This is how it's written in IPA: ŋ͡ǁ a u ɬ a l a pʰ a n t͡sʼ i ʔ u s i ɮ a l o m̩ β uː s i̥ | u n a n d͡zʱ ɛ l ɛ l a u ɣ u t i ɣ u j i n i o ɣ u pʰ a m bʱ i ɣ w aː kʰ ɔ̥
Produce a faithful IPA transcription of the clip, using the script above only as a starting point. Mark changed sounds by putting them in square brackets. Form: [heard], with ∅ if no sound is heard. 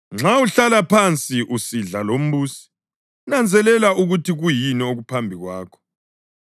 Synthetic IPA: ŋ͡ǁ a u ɬ a l a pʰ a n t͡sʼ i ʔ u s i ɮ a l o m̩ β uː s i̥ | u n a n d͡zʱ ɛ l ɛ l a u ɣ u t i ɣ u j i n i o ɣ u pʰ a m bʱ i ɣ w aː kʰ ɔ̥